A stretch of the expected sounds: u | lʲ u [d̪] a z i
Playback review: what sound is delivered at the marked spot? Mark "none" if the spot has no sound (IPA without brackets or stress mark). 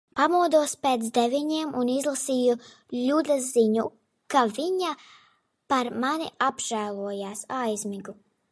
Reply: d̪